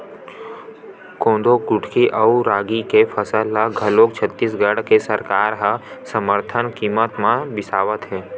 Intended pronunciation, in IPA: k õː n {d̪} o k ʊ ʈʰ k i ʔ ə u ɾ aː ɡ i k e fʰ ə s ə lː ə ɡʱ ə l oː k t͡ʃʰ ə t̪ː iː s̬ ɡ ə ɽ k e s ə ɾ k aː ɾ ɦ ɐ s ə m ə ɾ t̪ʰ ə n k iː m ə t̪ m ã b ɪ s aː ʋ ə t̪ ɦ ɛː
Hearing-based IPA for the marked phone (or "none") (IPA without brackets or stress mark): d̪